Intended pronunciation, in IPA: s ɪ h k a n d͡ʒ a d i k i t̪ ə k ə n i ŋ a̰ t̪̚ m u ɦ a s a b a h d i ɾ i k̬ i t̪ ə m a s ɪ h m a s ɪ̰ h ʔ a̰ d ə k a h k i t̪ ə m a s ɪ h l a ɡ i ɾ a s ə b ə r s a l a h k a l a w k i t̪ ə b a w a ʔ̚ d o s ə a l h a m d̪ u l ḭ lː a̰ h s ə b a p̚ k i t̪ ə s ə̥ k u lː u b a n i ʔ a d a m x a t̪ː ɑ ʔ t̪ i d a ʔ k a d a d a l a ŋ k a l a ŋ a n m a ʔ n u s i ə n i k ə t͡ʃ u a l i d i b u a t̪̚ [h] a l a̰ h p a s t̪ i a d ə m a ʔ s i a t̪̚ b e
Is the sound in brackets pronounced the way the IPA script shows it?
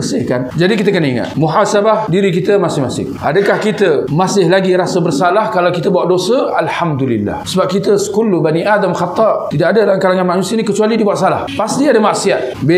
no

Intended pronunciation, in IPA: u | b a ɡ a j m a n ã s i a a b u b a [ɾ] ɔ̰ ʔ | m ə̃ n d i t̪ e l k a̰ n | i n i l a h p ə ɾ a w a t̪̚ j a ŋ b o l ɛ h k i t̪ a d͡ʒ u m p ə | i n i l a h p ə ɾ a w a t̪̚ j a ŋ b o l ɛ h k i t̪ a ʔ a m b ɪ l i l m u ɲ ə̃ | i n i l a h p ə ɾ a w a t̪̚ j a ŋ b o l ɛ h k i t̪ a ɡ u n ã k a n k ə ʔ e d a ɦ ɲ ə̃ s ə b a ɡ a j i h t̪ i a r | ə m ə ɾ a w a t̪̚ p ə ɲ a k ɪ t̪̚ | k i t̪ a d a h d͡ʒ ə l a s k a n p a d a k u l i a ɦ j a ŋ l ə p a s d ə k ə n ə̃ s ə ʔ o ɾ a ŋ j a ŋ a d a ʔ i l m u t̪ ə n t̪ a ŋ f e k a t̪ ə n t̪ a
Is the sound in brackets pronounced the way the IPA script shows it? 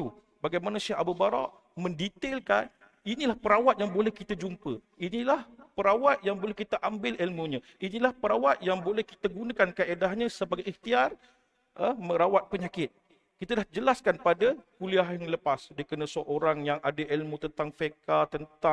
yes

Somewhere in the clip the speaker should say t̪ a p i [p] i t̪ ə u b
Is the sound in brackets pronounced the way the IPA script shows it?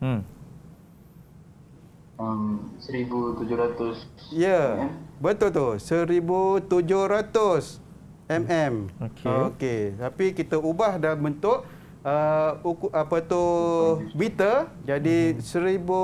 no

